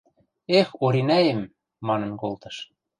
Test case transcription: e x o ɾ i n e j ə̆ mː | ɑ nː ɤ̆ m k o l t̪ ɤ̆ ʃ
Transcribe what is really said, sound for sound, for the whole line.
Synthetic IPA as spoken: e x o ɾ i n æ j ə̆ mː | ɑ n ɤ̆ n k o l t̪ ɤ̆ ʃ